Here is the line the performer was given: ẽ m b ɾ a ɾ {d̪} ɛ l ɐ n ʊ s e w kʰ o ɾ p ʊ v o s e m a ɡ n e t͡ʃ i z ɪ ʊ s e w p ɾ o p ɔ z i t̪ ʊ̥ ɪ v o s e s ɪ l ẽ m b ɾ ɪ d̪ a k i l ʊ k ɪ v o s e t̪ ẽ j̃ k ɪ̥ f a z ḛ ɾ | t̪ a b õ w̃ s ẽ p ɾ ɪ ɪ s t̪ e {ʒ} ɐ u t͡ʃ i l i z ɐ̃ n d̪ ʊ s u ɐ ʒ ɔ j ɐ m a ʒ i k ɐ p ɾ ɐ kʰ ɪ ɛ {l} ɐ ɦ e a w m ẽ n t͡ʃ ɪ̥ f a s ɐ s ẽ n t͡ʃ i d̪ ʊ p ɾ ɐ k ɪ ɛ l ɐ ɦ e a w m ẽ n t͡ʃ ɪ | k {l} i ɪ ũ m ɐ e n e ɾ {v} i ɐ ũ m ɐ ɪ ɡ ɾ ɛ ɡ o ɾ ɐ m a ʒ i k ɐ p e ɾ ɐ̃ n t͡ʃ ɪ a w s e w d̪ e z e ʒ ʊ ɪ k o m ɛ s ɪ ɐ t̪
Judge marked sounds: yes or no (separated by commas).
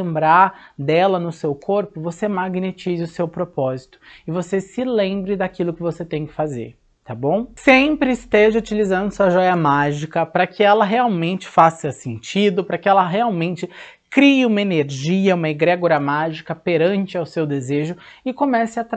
yes, yes, yes, no, no